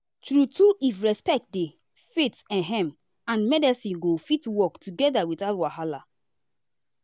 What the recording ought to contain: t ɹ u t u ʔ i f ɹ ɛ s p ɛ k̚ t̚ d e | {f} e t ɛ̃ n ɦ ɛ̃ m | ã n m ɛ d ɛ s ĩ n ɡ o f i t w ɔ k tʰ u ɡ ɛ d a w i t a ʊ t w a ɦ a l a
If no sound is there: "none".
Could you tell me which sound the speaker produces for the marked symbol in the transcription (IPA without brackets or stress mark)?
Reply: f